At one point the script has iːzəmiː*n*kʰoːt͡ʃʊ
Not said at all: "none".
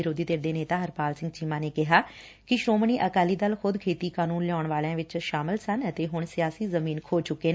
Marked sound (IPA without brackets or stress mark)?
n